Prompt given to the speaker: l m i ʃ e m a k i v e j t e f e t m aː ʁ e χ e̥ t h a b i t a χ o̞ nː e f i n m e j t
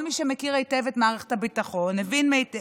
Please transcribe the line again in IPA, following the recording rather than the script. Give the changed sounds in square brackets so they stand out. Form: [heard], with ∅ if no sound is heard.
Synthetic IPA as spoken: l m i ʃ e m [e] k i [ʁ] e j t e [v] e t m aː ʁ e χ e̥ t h a b i t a χ o̞ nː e [v] i n m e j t

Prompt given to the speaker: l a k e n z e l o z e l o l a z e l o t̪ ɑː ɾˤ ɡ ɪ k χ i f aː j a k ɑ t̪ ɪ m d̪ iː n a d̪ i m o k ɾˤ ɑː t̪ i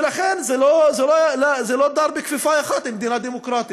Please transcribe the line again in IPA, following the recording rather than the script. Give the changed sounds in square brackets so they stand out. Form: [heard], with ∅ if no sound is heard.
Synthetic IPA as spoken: l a [x] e n z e l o z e l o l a z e l o [d̪] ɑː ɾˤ [b] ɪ k [f] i f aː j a [x] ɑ t̪ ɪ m d̪ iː n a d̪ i m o k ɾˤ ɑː t̪ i

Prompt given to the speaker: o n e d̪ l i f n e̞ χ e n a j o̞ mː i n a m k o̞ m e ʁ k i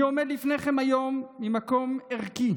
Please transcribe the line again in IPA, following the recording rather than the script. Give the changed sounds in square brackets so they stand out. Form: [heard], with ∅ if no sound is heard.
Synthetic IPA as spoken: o [m] e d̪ l i f n e̞ χ e [m] a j o̞ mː i [m] a [∅] k o̞ m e ʁ k i

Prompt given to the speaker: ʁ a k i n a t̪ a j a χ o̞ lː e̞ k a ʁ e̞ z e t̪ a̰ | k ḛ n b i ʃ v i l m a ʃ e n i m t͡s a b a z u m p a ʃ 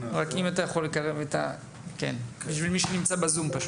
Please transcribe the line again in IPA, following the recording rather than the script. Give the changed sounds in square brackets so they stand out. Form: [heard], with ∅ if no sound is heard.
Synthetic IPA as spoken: ʁ a k i [m] a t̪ a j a χ o̞ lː e̞ k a ʁ e̞ [v] e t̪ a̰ | k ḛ n b i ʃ v i l m [i] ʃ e n i m t͡s a b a z u m p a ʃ

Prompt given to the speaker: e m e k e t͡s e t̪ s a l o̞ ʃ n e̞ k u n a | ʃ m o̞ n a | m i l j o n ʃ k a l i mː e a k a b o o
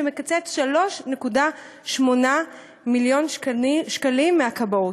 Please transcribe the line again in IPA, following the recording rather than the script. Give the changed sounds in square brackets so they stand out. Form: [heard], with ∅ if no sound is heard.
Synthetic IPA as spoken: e m e k [a] t͡s e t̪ [ʃ] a l o̞ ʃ n e̞ k u [d] a | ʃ m o̞ n a | m i l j o n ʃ k a l i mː e a k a b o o

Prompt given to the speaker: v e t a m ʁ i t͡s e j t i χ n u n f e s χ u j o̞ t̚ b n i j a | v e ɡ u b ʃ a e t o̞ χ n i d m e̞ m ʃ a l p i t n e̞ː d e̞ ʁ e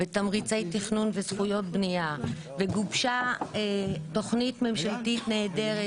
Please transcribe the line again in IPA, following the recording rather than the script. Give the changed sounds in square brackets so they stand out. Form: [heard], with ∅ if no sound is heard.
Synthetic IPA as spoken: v e t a m ʁ i t͡s e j t i χ n u n [v] e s χ u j o̞ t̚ b n i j a | v e ɡ u b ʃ a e t o̞ χ n i [t] m e̞ m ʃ a l [t] i t n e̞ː d e̞ ʁ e

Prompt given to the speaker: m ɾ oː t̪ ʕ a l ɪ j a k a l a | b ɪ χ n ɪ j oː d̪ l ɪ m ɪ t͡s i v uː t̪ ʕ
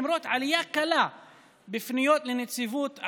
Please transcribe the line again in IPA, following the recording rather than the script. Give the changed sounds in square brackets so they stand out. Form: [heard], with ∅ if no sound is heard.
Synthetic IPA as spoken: m ɾ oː t̪ ʕ a l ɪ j a k a l a | b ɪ [f] n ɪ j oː [t̪] l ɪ [n] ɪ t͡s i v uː t̪ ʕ

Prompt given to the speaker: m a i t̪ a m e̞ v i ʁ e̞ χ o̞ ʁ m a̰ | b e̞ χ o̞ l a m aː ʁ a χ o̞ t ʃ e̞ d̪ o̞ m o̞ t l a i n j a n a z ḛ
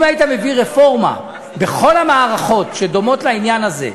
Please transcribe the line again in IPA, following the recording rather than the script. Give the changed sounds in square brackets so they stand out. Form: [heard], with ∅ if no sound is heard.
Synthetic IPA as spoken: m a i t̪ a m e̞ v i ʁ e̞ [f] o̞ ʁ m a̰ | b e̞ χ o̞ l a m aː ʁ a χ o̞ t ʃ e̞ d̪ o̞ m o̞ t l a i n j a n a z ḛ

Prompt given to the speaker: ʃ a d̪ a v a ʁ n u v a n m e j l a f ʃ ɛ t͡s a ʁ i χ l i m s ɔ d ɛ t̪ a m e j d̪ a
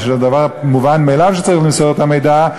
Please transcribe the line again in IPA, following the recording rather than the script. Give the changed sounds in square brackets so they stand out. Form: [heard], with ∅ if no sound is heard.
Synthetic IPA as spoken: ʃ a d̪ a v a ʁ [m] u v a n m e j l a [v] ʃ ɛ t͡s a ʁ i χ l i m s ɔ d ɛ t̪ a m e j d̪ a

